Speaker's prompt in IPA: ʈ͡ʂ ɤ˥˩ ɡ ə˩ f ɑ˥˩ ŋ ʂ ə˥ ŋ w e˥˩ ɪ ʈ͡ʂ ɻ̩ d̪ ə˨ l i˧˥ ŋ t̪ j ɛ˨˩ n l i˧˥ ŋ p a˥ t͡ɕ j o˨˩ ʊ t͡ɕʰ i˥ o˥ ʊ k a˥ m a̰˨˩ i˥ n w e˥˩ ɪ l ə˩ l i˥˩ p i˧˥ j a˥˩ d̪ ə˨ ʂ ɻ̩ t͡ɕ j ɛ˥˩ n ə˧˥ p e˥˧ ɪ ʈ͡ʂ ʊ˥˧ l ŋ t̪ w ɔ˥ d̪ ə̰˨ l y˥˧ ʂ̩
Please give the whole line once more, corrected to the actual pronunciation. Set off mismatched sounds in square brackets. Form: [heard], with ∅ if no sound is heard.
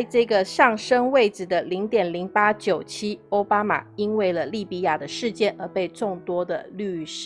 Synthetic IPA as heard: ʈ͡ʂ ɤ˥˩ ɡ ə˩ [ʂ] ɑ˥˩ ŋ ʂ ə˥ ŋ w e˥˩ ɪ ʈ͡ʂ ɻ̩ d̪ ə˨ l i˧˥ ŋ t̪ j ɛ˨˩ n l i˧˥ ŋ p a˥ t͡ɕ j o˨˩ ʊ t͡ɕʰ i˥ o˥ ʊ [p] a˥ m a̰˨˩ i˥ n w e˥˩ ɪ l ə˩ l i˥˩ p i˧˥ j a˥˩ d̪ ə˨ ʂ ɻ̩ t͡ɕ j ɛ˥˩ n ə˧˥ p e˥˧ ɪ ʈ͡ʂ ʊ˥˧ [∅] ŋ t̪ w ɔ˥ d̪ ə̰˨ l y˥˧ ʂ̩

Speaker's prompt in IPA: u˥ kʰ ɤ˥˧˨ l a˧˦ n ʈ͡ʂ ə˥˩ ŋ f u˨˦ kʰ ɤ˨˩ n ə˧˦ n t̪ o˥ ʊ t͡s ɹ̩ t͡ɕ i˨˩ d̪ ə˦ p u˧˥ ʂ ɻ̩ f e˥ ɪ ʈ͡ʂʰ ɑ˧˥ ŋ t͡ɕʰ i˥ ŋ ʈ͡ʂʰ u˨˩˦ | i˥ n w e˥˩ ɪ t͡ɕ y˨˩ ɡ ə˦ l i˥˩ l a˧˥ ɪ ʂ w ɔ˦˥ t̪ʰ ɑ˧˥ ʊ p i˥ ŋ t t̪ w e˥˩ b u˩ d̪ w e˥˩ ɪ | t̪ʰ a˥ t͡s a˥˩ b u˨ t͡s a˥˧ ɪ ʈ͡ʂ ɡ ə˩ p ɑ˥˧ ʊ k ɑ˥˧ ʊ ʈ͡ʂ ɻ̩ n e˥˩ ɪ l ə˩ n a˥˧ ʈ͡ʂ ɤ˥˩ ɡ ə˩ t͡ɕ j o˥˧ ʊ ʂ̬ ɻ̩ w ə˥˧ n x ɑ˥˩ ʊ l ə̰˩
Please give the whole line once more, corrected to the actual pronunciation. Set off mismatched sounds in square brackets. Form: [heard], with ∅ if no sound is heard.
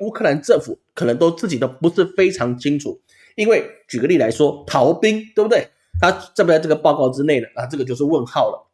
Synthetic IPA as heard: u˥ kʰ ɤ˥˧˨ l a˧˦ n ʈ͡ʂ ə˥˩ ŋ f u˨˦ kʰ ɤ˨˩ n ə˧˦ [ŋ] t̪ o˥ ʊ t͡s ɹ̩ t͡ɕ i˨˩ d̪ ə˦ p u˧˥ ʂ ɻ̩ f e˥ ɪ ʈ͡ʂʰ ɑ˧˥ ŋ t͡ɕʰ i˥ ŋ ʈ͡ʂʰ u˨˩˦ | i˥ n w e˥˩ ɪ t͡ɕ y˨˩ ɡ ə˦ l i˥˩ l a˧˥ ɪ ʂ w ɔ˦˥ t̪ʰ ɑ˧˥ ʊ p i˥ ŋ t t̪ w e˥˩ b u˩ d̪ w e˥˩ ɪ | t̪ʰ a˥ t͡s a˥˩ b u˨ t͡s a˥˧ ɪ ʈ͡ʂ ɡ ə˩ p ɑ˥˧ ʊ k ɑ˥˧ ʊ ʈ͡ʂ ɻ̩ n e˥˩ ɪ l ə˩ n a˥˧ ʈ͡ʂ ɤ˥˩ ɡ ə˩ t͡ɕ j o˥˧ ʊ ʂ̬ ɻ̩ w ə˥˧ n x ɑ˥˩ ʊ l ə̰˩

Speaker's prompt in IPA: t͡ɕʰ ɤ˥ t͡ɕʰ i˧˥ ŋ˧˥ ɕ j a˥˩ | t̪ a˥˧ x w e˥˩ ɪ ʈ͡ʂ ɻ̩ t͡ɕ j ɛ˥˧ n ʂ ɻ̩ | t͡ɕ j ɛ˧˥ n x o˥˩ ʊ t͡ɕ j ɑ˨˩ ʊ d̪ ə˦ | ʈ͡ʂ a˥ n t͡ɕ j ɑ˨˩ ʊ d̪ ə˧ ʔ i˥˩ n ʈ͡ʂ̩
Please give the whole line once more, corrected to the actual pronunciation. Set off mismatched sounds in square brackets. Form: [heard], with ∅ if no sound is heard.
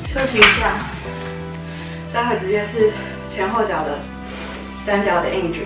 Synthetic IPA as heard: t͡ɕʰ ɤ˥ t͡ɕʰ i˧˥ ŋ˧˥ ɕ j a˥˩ | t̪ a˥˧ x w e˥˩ ɪ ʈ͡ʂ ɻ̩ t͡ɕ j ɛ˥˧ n ʂ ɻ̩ | [t͡ɕʰ] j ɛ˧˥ n x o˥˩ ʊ t͡ɕ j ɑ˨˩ ʊ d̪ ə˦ | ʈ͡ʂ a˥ n t͡ɕ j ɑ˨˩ ʊ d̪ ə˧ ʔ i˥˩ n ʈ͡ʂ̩

